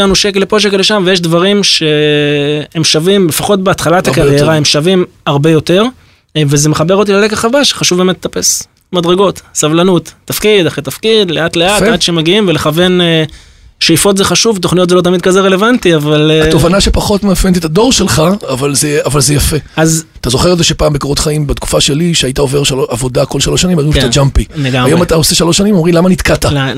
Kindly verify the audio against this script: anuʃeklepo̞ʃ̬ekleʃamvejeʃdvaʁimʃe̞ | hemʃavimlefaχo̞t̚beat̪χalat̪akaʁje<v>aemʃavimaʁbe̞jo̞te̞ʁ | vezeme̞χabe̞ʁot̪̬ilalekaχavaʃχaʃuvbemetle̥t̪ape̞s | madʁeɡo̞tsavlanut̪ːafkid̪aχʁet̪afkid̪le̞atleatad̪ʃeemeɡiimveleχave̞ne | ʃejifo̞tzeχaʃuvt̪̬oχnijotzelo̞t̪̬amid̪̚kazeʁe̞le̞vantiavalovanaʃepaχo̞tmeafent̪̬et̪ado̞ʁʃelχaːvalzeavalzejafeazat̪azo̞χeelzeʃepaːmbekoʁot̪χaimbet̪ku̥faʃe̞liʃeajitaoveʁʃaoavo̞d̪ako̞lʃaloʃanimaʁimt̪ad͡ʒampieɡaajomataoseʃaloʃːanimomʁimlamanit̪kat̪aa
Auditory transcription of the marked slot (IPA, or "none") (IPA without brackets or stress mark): ʁ